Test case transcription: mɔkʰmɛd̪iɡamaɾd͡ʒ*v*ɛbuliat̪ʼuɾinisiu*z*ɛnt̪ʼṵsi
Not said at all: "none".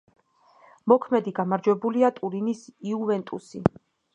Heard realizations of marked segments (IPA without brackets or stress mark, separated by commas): w, v